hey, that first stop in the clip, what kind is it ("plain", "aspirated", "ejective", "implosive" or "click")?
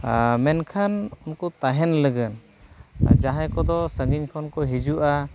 aspirated